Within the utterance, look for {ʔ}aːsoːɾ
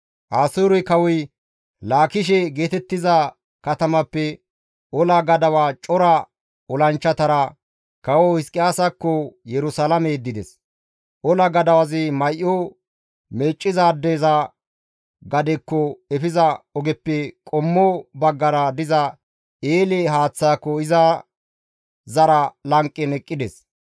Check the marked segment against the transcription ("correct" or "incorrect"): correct